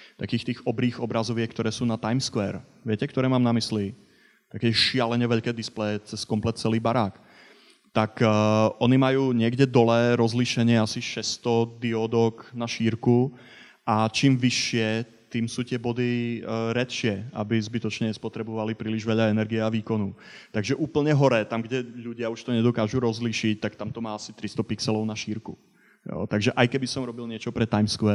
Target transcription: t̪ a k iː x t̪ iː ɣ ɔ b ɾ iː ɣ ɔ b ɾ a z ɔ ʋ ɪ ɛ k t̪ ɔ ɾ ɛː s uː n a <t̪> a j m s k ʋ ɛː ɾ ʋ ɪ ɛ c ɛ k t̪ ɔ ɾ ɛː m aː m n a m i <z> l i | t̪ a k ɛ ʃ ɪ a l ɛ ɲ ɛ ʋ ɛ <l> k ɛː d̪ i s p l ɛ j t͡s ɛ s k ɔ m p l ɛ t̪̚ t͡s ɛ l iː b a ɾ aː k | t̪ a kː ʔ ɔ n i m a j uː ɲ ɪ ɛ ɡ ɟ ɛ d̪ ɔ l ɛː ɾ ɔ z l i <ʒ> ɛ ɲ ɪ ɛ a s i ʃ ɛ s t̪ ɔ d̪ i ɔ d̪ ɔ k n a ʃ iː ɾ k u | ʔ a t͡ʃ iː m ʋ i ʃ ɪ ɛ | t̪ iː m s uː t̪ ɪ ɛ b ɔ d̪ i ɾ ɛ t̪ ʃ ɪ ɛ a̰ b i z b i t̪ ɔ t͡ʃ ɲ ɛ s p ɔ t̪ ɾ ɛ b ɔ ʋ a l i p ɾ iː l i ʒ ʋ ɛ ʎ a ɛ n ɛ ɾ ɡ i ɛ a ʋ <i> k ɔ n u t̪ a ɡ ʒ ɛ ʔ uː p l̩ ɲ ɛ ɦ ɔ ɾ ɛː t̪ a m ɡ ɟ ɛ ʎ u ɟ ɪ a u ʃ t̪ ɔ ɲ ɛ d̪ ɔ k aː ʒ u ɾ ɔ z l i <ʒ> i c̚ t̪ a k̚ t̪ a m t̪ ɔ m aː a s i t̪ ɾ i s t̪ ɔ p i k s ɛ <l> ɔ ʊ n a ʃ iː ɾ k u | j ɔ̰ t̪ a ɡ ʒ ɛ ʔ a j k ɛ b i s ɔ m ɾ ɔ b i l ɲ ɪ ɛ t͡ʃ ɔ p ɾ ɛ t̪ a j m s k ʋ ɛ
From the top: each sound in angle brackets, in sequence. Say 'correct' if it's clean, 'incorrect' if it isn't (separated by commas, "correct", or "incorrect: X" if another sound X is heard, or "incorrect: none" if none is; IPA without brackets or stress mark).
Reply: correct, incorrect: s, incorrect: ʎ, incorrect: ʃ, incorrect: iː, incorrect: ʃ, correct